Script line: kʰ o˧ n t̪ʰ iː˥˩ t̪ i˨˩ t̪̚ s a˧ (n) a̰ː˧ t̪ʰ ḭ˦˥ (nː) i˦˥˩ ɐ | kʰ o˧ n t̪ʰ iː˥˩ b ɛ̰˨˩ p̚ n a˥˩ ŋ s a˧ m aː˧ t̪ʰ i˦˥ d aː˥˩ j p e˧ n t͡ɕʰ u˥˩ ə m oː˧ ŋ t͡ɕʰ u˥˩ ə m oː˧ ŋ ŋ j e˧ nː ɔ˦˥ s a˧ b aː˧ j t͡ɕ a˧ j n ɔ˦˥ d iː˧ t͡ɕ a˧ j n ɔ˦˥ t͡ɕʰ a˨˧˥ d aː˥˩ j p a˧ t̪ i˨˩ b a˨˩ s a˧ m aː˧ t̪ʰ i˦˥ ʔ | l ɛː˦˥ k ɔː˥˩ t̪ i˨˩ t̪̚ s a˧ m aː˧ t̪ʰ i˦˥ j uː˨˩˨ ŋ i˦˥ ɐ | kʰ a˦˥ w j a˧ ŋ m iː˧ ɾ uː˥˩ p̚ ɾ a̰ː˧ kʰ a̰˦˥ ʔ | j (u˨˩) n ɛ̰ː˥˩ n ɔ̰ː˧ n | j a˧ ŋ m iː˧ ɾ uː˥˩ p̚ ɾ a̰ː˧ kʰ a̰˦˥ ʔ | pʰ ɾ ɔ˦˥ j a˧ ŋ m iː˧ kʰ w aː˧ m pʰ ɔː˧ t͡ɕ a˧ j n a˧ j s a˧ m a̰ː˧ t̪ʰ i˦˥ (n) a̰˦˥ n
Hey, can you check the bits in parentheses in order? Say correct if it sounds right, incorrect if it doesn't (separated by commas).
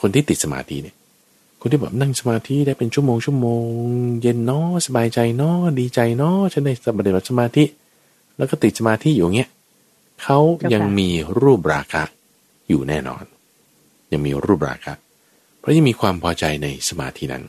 incorrect, incorrect, incorrect, correct